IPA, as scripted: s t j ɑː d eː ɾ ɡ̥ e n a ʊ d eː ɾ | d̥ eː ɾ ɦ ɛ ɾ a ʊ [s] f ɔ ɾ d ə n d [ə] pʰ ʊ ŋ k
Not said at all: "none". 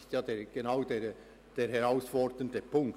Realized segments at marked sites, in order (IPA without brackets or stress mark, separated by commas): s, ə